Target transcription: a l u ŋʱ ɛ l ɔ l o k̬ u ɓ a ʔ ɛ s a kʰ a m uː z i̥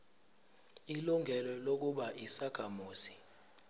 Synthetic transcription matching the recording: i l u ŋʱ ɛ l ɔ l o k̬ u ɓ a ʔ i s a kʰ a m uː s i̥